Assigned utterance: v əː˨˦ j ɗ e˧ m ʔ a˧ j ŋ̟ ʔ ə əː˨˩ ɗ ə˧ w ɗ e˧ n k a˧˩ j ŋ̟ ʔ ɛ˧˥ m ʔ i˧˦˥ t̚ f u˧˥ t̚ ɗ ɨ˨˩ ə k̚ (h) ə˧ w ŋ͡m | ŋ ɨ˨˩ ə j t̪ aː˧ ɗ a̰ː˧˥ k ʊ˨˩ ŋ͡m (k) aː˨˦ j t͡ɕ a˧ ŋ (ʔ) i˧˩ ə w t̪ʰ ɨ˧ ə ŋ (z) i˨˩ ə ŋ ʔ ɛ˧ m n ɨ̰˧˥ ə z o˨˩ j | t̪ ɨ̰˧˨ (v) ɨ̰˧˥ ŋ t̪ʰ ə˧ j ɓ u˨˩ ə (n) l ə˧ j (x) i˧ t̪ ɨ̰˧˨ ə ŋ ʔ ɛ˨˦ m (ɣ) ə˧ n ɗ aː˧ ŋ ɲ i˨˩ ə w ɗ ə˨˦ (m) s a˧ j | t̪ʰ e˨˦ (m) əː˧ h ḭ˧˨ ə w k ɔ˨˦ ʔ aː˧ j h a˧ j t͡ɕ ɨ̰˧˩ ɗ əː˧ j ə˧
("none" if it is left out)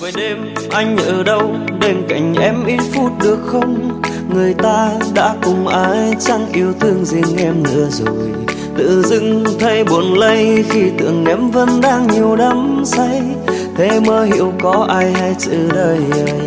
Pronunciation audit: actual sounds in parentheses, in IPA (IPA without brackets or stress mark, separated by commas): x, ʔ, ʔ, z, z, n, x, v, m, m